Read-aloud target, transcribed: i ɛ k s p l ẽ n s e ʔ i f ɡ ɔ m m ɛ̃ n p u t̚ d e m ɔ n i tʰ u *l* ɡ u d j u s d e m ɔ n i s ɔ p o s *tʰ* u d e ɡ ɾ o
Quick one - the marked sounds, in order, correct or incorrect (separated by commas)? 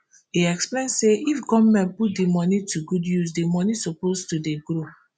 incorrect, incorrect